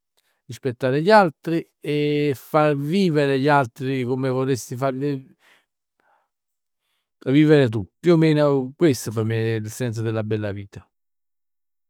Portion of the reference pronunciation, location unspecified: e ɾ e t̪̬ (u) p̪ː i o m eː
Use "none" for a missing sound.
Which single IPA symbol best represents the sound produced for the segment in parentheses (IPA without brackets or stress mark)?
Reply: u